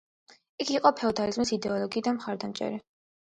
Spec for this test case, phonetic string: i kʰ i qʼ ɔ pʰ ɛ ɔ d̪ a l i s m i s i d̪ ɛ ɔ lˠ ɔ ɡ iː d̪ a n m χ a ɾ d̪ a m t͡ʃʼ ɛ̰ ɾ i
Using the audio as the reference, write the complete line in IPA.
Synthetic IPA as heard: i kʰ i qʼ ɔ pʰ ɛ ɔ d̪ a l i z m i s i d̪ ɛ ɔ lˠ ɔ ɡ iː d̪ a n m χ a ɾ d̪ a m t͡ʃʼ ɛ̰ ɾ i